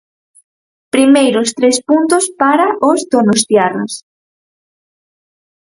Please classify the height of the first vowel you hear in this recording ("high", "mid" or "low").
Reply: high